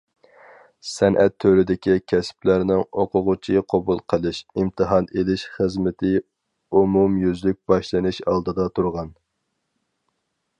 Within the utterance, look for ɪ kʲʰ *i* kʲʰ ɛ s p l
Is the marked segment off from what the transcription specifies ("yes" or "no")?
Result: no